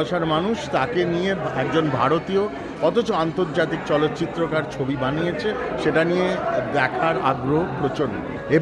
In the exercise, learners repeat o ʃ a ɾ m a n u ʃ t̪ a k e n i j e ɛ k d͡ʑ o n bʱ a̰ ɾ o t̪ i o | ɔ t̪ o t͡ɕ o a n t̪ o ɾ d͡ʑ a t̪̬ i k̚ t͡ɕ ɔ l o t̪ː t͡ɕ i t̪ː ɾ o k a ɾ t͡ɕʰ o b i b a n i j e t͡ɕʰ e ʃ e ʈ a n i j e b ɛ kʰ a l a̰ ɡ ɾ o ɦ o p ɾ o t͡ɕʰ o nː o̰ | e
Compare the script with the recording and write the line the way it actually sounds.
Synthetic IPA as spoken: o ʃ a ɾ m a n u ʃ t̪ a k e n i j e ɛ k d͡ʑ o n bʱ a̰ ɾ o t̪ i o | ɔ t̪ o t͡ɕ o a n t̪ o ɾ d͡ʑ a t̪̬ i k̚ t͡ɕ ɔ l o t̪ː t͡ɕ i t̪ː ɾ o k a ɾ t͡ɕʰ o b i b a n i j e t͡ɕʰ e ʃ e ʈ a n i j e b ɛ kʰ a ɾ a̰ ɡ ɾ o ɦ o p ɾ o t͡ɕ o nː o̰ | e